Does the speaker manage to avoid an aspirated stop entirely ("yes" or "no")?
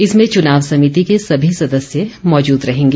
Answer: yes